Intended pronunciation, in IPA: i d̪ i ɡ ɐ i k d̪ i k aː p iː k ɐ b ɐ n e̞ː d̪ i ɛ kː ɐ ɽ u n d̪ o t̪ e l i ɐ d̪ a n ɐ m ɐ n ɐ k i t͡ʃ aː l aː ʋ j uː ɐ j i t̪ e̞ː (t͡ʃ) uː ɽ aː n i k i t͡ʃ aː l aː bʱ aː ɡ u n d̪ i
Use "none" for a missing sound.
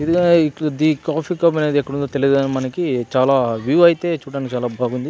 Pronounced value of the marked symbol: t͡ʃ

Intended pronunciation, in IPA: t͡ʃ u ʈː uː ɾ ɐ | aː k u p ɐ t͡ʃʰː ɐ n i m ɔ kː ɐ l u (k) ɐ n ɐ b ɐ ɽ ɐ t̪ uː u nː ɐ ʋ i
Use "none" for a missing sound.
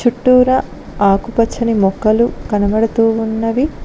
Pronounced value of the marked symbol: k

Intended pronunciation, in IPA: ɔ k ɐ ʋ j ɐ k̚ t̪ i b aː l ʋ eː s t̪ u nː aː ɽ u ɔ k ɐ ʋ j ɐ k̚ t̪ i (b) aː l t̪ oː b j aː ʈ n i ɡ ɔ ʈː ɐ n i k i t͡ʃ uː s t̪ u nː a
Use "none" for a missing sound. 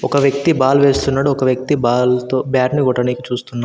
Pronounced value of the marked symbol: b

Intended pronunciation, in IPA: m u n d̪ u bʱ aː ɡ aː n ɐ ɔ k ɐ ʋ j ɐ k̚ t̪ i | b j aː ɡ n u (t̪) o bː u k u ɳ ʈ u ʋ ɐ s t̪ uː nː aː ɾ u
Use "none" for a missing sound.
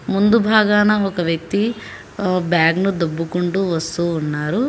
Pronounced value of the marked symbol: d̪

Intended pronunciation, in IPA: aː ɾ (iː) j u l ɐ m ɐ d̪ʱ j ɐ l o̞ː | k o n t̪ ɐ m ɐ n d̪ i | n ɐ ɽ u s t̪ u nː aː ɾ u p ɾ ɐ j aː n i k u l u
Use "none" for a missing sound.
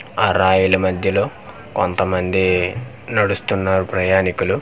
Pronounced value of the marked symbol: aː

